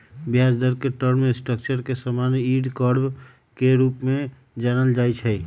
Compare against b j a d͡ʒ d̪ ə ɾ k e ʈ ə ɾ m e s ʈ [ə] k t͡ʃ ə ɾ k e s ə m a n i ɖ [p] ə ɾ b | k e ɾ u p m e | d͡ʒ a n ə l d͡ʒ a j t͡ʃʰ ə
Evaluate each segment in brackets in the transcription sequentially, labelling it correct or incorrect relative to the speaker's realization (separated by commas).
correct, incorrect